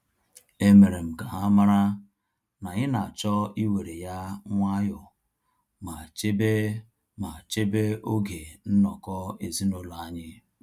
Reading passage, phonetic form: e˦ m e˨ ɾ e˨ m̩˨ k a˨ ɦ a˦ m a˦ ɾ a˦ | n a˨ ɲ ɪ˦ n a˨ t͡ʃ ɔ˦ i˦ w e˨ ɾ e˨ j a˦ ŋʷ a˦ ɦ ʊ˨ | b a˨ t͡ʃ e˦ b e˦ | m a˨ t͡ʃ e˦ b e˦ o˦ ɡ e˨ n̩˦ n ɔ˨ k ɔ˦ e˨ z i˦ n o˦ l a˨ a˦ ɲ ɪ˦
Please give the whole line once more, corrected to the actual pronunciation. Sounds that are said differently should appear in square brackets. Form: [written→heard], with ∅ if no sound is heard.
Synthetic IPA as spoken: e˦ m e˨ ɾ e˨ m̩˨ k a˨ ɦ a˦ m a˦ ɾ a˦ | n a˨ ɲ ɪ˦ n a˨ t͡ʃ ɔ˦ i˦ w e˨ ɾ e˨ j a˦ ŋʷ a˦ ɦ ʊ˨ | [b→m] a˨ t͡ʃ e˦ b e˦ | m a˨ t͡ʃ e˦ b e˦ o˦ ɡ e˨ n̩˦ n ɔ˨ k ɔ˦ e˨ z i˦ n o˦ l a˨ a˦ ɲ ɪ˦

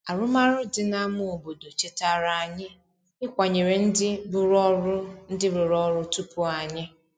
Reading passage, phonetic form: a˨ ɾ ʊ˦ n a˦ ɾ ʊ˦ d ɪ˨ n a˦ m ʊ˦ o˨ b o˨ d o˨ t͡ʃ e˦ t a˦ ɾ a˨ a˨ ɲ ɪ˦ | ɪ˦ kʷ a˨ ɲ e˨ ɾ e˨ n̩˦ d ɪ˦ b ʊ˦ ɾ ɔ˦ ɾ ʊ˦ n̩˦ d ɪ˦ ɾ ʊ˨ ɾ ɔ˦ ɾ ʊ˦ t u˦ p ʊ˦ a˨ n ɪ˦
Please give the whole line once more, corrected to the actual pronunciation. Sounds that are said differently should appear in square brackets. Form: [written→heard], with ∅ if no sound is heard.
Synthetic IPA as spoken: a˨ ɾ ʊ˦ [n→m] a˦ ɾ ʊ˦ d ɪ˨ n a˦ m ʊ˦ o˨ b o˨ d o˨ t͡ʃ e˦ t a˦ ɾ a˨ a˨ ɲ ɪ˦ | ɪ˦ kʷ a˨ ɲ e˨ ɾ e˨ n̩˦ d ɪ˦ b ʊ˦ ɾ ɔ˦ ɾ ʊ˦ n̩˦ d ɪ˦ ɾ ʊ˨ ɾ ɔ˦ ɾ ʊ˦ t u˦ p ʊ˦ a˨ [n→ɲ] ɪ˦

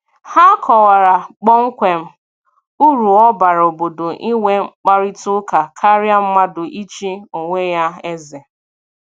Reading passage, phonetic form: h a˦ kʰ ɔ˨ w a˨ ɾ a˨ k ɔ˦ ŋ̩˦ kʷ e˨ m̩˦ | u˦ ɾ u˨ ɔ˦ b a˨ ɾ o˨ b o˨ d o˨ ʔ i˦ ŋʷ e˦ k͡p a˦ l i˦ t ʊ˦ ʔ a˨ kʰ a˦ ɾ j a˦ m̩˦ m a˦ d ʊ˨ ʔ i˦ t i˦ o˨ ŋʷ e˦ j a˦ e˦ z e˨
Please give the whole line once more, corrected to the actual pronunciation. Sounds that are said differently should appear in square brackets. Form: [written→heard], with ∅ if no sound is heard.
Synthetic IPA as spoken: h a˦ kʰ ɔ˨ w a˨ ɾ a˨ [k→k͡p] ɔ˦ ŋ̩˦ kʷ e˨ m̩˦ | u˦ ɾ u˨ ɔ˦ b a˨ ɾ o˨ b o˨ d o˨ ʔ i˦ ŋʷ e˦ k͡p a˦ [l→ɾ] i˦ t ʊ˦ [ʔ→k] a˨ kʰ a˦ ɾ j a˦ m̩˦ m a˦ d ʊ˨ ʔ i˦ [t→t͡ʃ] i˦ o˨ ŋʷ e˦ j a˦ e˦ z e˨

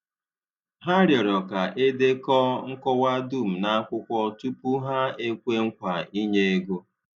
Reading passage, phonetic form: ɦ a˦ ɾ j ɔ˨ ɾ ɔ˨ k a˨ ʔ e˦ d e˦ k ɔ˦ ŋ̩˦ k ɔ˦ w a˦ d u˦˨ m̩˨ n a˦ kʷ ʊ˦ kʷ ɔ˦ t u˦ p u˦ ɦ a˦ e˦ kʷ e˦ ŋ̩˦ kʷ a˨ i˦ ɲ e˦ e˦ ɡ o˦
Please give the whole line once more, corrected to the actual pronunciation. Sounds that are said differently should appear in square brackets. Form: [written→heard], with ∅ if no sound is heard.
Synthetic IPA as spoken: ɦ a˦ ɾ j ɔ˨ ɾ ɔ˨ k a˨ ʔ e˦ d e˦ k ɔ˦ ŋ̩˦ k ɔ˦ w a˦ d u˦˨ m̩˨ n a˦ kʷ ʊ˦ kʷ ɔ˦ t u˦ p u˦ ɦ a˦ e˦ kʷ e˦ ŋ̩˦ kʷ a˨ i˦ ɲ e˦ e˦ ɡ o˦

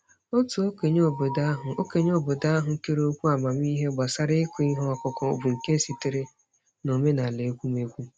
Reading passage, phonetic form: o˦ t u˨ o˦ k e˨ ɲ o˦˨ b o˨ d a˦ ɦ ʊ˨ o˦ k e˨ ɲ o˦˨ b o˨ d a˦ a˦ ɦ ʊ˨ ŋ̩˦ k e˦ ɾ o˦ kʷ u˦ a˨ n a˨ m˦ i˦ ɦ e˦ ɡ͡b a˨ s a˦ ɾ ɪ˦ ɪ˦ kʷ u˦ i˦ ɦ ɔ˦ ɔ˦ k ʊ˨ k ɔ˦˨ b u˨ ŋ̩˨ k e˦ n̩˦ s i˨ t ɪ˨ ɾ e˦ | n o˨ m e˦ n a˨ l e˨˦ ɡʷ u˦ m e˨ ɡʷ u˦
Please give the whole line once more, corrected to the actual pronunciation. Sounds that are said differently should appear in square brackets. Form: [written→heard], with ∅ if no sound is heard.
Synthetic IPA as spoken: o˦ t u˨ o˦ k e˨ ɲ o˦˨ b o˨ d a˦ ɦ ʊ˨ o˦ k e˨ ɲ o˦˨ b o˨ d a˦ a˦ ɦ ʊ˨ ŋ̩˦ k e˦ ɾ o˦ kʷ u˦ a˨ [n→m] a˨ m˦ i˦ ɦ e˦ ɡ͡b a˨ s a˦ ɾ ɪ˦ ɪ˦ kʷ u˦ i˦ ɦ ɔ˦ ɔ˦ k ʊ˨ k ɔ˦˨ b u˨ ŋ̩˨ k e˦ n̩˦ s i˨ t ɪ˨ ɾ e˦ | n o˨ m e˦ n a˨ l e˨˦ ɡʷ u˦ m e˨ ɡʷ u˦

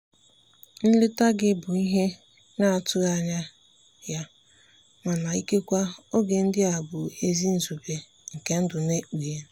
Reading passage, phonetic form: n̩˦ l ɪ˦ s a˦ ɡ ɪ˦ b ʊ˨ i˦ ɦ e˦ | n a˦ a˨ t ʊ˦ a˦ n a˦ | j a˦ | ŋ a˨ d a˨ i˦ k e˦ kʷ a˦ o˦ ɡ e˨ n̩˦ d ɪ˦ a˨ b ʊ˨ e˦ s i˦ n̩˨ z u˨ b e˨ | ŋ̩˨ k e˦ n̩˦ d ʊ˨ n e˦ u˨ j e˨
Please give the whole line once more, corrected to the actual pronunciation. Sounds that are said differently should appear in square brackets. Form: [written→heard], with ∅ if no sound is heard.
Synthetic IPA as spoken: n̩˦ l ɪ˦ [s→t] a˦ ɡ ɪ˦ b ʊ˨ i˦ ɦ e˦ | n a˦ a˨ t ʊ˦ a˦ [n→ɲ] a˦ | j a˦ | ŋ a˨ [d→n] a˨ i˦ k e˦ kʷ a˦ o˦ ɡ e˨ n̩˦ d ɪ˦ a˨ b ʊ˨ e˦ [s→z] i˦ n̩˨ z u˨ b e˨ | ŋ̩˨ k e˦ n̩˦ d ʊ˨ n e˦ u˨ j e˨

